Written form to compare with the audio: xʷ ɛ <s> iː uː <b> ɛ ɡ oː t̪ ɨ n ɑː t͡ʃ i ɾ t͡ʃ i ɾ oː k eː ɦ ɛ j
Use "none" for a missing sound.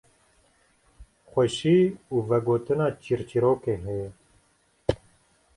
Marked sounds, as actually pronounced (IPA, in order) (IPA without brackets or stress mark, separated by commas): ʃ, v